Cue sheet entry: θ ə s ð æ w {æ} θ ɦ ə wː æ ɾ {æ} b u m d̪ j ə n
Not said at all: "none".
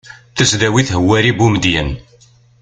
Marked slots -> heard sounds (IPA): i, i

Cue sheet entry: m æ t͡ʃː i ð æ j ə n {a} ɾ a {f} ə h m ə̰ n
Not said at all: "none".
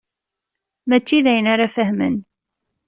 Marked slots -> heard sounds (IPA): a, f

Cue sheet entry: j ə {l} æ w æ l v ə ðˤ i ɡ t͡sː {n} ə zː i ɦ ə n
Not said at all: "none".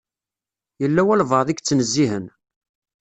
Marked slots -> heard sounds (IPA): lː, n

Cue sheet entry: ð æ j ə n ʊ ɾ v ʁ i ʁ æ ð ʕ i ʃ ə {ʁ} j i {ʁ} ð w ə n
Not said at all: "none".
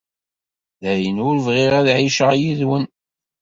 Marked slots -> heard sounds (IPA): ʁ, none

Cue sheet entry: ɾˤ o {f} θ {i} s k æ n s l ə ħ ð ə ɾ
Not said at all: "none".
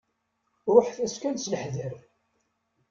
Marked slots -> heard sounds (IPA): ħ, æ

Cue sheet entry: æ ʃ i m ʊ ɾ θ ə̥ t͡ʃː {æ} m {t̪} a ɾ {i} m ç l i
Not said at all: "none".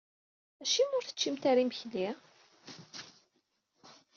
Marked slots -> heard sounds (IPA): i, t̪, i

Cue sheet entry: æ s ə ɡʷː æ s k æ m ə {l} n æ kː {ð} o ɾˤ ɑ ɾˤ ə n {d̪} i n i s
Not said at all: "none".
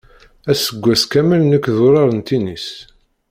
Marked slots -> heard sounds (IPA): l, ð, t̪

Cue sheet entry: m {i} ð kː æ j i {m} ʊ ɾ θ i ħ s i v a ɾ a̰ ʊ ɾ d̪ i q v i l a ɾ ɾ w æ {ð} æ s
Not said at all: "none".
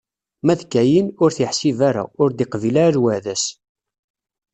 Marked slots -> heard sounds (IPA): æ, n, ð

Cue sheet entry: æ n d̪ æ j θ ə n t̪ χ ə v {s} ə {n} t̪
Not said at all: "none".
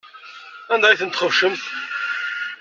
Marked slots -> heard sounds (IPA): ʃ, m

